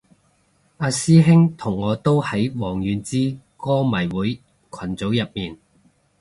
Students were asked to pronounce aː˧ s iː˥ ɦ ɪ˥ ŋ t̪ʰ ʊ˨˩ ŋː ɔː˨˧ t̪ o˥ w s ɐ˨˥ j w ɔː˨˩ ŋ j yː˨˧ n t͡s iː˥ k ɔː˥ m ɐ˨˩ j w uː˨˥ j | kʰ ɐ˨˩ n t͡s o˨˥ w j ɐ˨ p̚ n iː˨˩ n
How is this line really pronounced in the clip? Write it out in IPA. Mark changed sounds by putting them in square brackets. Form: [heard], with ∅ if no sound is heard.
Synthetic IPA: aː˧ s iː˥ ɦ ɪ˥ ŋ t̪ʰ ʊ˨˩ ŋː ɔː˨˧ t̪ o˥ w [h] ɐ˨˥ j w ɔː˨˩ ŋ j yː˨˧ n t͡s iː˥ k ɔː˥ m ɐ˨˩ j w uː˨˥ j | kʰ ɐ˨˩ n t͡s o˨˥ w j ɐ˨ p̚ [m] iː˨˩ n